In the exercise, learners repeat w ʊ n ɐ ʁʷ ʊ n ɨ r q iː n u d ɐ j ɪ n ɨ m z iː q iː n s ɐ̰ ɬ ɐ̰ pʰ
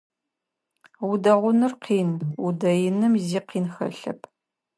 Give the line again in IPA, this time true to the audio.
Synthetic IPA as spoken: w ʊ d ɐ ʁʷ ʊ n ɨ r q iː n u d ɐ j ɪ n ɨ m z iː q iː n x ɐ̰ ɬ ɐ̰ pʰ